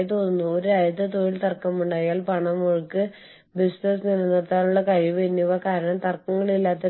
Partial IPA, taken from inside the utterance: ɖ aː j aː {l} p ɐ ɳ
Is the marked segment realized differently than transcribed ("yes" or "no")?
no